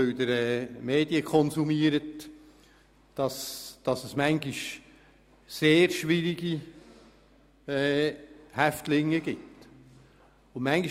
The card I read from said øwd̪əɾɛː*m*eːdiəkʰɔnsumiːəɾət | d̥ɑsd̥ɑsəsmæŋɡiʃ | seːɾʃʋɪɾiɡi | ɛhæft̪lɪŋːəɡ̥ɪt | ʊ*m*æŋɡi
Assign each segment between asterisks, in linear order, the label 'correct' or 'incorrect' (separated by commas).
correct, correct